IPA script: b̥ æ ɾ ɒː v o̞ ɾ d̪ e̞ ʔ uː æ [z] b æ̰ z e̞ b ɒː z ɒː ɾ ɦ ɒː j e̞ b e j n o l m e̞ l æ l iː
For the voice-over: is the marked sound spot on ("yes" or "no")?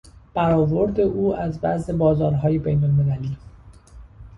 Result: yes